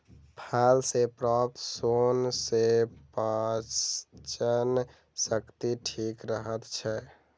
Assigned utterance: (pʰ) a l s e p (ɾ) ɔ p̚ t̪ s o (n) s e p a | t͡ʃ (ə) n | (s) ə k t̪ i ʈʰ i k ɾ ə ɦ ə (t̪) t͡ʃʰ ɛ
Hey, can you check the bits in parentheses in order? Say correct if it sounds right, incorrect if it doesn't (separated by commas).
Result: correct, correct, correct, correct, correct, correct